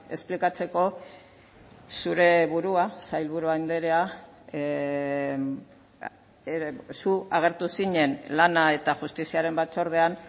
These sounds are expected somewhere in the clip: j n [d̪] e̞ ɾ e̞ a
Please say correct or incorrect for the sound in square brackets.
correct